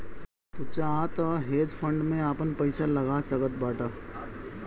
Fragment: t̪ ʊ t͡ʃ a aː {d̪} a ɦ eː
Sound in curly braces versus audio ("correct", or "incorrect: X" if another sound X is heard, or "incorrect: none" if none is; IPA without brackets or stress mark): incorrect: t̪